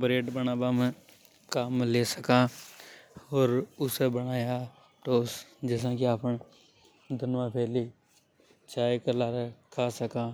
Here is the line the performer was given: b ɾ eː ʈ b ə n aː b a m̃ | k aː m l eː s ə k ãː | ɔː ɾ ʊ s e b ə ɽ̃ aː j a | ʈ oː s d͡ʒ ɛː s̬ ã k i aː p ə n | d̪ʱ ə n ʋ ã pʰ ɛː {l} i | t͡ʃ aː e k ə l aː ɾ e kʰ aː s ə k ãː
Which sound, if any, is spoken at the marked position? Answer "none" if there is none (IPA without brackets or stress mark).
l